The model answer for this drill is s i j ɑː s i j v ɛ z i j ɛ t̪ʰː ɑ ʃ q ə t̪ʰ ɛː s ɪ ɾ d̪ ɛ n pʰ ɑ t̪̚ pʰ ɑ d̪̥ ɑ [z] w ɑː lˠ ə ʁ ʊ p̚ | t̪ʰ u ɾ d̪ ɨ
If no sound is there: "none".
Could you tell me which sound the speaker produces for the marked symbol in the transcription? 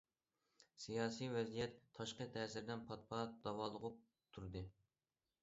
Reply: none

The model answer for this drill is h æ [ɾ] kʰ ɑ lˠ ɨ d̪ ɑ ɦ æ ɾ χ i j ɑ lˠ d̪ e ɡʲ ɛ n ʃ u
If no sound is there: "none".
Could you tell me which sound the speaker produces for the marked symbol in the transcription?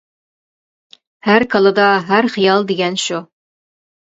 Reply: ɾ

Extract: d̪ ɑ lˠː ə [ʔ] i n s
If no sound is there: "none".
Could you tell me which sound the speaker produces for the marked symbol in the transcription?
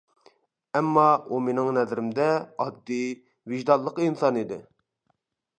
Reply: q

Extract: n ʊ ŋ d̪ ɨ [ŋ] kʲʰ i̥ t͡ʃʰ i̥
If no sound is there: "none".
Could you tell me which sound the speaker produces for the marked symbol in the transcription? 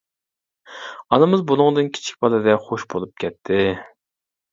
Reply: n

